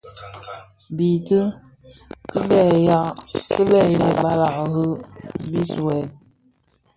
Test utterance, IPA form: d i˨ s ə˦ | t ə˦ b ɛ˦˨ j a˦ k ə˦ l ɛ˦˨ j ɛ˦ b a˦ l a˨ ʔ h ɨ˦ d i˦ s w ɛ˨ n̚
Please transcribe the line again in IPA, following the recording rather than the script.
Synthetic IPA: b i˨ t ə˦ | k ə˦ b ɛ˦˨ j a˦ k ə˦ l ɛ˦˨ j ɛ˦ b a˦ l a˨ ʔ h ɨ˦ b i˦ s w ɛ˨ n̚